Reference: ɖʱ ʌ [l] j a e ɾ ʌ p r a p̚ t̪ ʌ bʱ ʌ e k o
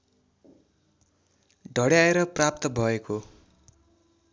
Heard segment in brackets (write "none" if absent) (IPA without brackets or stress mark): ɽ